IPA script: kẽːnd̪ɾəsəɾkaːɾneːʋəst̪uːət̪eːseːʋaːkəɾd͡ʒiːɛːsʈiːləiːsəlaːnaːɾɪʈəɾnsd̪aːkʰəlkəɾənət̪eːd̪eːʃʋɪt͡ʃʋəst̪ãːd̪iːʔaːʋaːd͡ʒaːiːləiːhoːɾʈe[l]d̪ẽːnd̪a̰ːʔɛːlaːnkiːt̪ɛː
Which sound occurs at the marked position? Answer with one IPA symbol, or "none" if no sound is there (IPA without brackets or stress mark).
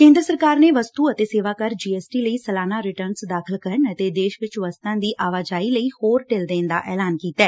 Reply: l